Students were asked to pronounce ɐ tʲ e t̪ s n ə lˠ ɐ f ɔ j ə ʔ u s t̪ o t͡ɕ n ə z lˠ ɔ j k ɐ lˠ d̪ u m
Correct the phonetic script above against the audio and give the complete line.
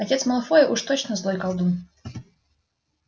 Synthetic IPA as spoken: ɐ tʲ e t̪ s m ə lˠ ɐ f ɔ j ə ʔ u ʂ t̪ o t͡ɕ n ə z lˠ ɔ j k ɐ lˠ d̪ u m